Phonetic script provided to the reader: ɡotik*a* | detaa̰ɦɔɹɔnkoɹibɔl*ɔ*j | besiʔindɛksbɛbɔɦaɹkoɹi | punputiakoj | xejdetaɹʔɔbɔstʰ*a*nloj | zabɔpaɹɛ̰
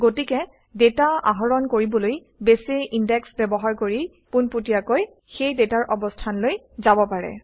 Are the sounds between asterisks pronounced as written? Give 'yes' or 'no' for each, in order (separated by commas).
no, no, yes